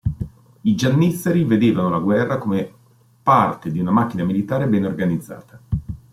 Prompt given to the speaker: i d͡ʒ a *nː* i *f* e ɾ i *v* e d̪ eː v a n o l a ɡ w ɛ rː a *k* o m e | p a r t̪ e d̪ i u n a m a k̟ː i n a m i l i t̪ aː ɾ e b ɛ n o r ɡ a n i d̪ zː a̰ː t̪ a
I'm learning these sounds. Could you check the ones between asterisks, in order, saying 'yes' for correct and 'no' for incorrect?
yes, no, yes, yes

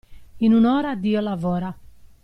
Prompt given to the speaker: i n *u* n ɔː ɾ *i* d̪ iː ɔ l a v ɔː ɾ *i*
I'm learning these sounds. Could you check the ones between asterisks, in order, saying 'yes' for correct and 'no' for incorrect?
yes, no, no

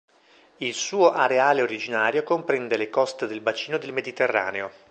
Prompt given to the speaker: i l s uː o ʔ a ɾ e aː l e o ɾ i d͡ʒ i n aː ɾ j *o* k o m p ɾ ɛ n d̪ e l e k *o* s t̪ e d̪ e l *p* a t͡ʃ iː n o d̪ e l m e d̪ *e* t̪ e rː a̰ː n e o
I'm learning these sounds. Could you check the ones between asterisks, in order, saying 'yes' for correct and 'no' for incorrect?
yes, no, no, no

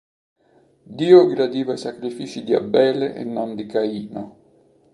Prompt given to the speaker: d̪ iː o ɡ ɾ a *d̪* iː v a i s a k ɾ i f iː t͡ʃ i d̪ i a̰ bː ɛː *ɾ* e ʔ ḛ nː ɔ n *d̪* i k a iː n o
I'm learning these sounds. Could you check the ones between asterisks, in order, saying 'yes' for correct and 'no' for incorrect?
yes, no, yes

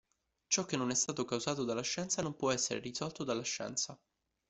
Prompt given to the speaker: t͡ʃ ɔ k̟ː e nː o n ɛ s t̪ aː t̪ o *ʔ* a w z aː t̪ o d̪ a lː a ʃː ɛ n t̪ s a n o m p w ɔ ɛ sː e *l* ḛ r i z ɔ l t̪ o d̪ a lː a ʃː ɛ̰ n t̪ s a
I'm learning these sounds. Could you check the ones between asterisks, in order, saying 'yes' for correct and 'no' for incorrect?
no, no

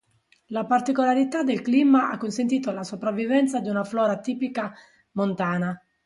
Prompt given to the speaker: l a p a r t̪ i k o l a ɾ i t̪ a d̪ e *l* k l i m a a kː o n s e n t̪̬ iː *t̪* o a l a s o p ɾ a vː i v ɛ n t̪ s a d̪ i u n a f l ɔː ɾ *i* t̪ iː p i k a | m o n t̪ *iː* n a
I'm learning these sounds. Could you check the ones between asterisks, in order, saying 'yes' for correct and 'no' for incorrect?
yes, yes, no, no

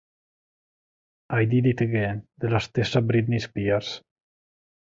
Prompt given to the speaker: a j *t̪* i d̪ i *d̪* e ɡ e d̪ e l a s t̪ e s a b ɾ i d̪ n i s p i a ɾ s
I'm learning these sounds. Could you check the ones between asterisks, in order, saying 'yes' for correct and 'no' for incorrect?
no, no

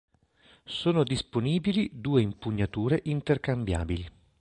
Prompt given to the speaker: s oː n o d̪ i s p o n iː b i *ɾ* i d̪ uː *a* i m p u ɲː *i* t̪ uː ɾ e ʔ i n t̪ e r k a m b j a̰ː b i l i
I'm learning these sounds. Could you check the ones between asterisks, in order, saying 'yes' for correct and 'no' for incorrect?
no, no, no

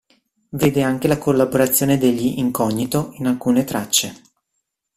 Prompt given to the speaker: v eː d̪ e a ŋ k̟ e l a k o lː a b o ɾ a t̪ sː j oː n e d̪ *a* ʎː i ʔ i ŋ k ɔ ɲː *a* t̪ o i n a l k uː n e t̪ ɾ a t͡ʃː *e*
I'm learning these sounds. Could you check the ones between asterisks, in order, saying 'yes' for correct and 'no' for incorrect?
no, no, yes

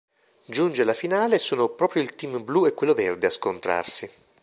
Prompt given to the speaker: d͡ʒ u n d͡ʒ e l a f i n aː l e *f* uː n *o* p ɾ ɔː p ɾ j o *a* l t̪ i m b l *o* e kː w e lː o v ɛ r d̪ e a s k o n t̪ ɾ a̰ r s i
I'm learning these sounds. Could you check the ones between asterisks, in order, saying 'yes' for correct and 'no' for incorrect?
no, yes, no, no

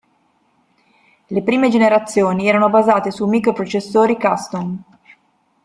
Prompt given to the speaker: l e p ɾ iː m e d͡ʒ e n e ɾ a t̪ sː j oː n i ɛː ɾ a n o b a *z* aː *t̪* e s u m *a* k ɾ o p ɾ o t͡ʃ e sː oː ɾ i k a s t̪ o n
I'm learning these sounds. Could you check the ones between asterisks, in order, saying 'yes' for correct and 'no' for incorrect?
yes, yes, no

